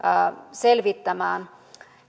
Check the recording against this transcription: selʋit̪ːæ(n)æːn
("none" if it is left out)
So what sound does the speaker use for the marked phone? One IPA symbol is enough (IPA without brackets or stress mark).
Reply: m